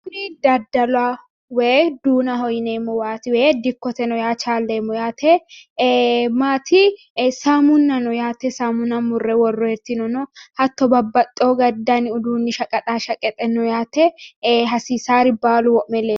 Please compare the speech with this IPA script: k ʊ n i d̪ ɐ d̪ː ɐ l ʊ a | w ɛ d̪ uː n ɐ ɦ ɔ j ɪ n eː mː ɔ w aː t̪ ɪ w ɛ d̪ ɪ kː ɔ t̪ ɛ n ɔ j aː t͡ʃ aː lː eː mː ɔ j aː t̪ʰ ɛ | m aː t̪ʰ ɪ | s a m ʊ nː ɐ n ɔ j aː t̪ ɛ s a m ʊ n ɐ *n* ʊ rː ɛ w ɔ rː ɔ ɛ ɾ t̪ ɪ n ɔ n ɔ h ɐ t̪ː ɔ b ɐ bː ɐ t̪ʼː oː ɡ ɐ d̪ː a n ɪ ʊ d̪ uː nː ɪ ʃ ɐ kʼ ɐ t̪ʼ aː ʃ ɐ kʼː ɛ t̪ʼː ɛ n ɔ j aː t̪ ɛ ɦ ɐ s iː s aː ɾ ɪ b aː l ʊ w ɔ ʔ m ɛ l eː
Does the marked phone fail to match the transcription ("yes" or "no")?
yes